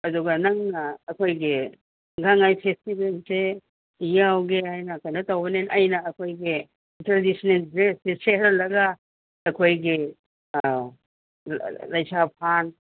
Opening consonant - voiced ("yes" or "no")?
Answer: yes